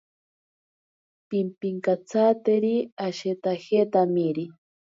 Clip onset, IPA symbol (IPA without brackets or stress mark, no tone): p